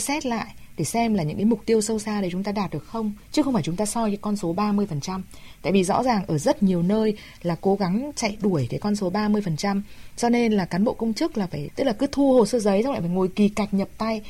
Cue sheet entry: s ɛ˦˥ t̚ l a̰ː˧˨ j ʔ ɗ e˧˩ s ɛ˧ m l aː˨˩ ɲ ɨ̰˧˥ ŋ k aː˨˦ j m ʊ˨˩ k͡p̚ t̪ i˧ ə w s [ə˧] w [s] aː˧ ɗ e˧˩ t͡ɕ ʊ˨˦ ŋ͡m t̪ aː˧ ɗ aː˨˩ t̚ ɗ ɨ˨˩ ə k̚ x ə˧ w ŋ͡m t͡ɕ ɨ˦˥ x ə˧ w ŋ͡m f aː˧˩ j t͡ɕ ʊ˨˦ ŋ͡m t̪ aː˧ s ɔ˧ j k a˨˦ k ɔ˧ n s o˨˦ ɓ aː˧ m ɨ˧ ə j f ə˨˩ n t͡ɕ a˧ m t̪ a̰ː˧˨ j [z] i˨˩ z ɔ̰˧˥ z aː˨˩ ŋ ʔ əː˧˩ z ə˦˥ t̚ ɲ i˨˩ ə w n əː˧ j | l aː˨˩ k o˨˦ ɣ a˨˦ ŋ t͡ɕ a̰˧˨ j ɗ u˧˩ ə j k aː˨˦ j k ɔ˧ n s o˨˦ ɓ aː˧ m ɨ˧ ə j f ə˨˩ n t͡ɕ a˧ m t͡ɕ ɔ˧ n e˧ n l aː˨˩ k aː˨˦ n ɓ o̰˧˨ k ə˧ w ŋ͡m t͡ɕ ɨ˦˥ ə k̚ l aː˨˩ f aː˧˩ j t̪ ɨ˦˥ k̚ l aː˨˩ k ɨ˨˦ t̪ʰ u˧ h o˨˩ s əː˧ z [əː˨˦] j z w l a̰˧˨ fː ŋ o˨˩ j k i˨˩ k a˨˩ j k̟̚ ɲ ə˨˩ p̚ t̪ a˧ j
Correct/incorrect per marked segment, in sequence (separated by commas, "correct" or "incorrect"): correct, correct, incorrect, incorrect